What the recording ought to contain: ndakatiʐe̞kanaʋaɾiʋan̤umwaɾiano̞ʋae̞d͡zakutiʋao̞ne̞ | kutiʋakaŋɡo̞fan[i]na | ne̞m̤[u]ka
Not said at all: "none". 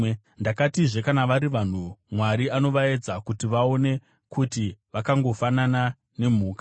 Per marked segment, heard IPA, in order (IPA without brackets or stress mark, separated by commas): a, uː